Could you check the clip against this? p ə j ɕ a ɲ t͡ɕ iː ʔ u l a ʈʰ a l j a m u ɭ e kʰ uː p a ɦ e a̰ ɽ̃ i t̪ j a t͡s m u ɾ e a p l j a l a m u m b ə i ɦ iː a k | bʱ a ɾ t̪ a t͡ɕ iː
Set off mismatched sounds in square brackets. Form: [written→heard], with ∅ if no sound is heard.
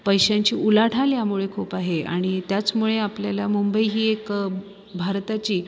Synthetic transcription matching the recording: p ə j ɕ a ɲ t͡ɕ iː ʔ u l a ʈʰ a l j a m u ɭ e kʰ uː p a ɦ e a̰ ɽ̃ i t̪ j a t͡s m u [ɾ→ɭ] e a p l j a l a m u m b ə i ɦ iː [a→e] k | bʱ a ɾ t̪ a t͡ɕ iː